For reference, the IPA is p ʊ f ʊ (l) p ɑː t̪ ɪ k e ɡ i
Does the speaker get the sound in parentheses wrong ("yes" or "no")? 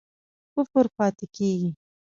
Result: yes